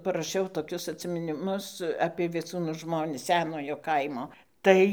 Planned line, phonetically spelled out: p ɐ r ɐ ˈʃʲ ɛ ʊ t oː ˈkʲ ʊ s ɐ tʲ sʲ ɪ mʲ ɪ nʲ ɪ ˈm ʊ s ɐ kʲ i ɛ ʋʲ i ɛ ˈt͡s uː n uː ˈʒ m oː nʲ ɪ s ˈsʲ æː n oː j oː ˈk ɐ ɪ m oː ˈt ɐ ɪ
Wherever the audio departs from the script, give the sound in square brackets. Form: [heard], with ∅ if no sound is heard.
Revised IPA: p ɐ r ɐ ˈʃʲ ɛ ʊ t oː ˈkʲ ʊ s ɐ tʲ sʲ ɪ mʲ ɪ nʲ ɪ ˈm ʊ s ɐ [pʲ] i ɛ ʋʲ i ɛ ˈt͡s uː n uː ˈʒ m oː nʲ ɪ s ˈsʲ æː n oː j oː ˈk ɐ ɪ m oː ˈt ɐ ɪ